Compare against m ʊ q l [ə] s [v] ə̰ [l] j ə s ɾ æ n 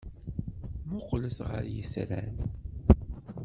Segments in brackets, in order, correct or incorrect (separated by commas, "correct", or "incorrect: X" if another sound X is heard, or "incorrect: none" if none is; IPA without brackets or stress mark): correct, incorrect: ʁ, incorrect: ɾ